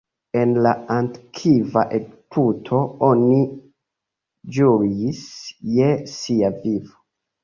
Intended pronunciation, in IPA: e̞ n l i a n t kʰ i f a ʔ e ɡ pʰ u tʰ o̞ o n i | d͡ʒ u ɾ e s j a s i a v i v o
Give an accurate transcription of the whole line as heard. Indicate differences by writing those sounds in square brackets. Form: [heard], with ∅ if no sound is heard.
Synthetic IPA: e̞ n l [a] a n t kʰ i [v] a ʔ e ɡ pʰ u tʰ o̞ o n i | d͡ʒ u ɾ [i] s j [e] s i a v i v o